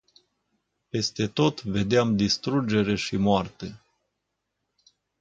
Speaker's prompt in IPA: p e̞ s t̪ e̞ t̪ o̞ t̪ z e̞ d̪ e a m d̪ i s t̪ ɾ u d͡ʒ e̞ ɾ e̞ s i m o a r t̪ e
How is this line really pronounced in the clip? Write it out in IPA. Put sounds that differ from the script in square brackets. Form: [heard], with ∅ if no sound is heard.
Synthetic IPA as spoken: p e̞ s t̪ e̞ t̪ o̞ t̪ [v] e̞ d̪ e a m d̪ i s t̪ ɾ u d͡ʒ e̞ ɾ e̞ [ʃ] i m o a r t̪ e